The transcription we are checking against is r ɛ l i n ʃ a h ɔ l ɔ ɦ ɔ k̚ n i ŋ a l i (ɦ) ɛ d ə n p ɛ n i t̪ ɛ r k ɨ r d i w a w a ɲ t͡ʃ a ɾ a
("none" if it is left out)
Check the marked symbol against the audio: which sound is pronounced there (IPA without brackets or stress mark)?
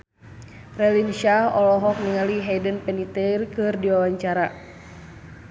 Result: ɦ